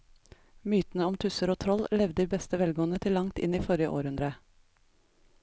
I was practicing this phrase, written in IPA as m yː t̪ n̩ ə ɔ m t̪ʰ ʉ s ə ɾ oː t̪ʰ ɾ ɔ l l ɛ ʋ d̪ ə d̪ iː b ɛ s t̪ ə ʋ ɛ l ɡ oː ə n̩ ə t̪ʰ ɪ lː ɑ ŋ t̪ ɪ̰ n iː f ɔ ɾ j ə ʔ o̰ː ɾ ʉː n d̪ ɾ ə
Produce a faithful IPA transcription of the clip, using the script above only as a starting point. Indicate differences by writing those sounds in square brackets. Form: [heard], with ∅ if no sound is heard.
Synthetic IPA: m yː t̪ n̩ ə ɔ m t̪ʰ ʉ s ə ɾ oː t̪ʰ ɾ ɔ l l ɛ ʋ d̪ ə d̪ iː b ɛ s t̪ ə ʋ ɛ l ɡ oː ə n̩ ə t̪ʰ ɪ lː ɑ ŋ t̪ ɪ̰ n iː f ɔ ɾ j ə ʔ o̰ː ɾ [ʉ] n d̪ ɾ ə